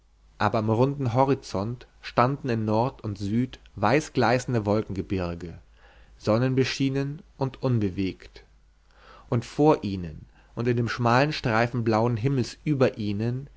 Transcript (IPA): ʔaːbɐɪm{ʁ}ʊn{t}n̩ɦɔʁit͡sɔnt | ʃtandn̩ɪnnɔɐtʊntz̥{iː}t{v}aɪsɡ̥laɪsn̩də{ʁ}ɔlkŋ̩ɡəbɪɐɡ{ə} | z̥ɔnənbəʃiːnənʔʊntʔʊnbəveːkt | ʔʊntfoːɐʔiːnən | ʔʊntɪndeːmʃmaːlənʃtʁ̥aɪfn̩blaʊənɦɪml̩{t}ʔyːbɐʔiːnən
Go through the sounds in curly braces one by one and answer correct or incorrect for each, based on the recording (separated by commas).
correct, incorrect, incorrect, correct, incorrect, correct, incorrect